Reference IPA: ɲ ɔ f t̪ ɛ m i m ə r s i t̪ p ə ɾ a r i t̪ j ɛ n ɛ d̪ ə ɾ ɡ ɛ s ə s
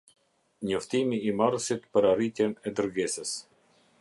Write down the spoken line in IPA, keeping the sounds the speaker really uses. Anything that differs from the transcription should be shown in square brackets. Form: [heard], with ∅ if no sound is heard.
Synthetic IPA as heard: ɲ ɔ f t̪ [i] m [iː] m [a] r s i t̪ p ə ɾ a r i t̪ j ɛ n ɛ d̪ ə ɾ ɡ ɛ s ə s